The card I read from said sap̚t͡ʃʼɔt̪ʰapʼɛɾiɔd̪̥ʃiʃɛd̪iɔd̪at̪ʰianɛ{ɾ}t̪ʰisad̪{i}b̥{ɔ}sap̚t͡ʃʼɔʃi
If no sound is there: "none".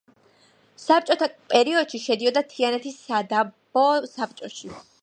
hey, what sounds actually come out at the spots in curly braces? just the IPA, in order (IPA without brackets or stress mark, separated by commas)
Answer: none, a, ɔ